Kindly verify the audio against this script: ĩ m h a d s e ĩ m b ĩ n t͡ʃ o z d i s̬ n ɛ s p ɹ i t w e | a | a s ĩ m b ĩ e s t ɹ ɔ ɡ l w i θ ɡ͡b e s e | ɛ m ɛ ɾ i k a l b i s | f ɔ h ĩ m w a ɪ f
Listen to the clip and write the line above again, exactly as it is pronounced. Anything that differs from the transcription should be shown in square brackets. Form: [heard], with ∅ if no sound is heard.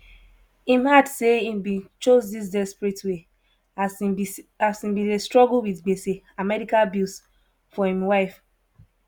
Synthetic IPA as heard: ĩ m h a d s e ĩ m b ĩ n t͡ʃ o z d i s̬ [d] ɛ s p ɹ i t w e | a | a s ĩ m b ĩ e s t ɹ ɔ ɡ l w i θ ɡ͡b e s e | [a] m ɛ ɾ i k a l b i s | f ɔ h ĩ m w a ɪ f